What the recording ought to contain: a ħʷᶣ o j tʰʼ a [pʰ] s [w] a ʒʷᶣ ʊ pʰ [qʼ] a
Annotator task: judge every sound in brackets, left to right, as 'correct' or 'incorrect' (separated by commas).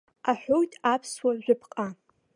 correct, correct, correct